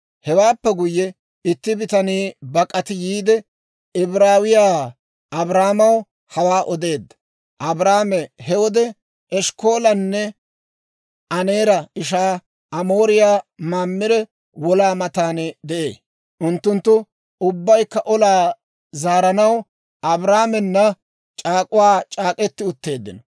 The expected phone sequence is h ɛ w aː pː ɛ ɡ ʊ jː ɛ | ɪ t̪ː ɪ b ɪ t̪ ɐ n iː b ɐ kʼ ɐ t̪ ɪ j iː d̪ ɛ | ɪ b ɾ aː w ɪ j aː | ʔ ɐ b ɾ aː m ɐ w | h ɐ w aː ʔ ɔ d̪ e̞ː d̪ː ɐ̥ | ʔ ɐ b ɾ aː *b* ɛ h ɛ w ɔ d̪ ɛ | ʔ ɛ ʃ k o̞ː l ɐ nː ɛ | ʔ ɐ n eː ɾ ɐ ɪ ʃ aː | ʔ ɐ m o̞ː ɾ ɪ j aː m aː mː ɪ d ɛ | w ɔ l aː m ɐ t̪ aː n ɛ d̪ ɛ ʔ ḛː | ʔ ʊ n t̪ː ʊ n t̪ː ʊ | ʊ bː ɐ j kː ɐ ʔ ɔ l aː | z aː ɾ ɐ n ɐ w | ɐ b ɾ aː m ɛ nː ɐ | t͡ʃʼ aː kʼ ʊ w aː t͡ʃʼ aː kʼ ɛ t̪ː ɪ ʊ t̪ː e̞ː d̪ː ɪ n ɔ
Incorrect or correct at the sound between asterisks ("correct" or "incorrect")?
incorrect